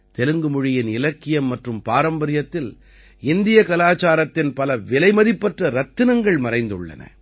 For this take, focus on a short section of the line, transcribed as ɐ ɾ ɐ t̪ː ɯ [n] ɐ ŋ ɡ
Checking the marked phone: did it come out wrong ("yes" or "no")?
no